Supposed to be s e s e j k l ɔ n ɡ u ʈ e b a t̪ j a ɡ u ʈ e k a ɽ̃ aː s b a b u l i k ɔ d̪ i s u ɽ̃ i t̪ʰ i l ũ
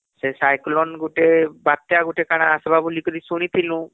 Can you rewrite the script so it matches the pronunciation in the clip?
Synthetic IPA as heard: s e s a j k l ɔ n ɡ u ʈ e b a t̪ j a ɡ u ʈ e k a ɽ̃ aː s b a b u l i k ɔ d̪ i s u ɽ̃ i t̪ʰ i l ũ